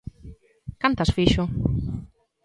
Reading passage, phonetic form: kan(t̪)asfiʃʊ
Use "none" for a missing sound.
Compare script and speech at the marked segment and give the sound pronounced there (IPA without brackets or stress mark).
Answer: t̪